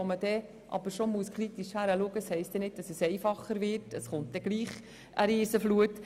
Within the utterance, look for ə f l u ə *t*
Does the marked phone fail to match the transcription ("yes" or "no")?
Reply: no